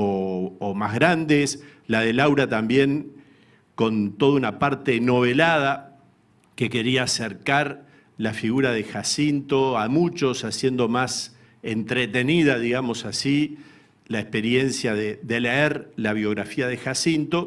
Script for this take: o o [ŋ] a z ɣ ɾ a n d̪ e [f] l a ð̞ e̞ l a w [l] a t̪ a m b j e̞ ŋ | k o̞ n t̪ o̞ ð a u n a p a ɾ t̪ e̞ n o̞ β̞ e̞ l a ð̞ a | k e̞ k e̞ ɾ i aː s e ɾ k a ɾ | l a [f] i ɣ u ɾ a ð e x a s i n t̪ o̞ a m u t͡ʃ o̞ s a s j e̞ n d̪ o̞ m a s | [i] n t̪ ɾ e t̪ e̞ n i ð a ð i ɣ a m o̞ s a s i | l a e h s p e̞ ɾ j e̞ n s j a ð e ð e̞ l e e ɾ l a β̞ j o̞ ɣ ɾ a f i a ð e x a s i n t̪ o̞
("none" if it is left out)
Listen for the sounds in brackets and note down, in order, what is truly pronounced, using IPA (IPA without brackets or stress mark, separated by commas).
m, s, ɾ, f, e